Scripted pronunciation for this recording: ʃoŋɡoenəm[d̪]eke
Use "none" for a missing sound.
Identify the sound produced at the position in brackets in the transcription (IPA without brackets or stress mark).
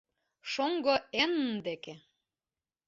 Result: d̪